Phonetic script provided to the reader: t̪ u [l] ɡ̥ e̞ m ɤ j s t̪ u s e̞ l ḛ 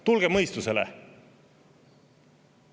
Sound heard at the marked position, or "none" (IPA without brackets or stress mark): l